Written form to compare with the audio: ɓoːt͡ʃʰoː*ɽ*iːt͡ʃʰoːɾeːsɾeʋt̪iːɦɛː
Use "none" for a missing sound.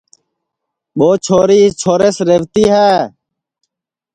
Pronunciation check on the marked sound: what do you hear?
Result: ɾ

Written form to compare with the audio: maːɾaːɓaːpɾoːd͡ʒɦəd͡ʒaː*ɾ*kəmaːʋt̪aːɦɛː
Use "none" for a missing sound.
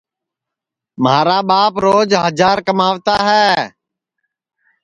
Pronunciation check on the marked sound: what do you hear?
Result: ɾ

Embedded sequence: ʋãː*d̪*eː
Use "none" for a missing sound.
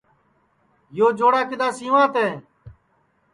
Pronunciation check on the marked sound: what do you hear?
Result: t̪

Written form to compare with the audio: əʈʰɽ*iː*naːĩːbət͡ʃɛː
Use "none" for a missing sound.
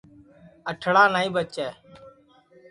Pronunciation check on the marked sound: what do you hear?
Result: aː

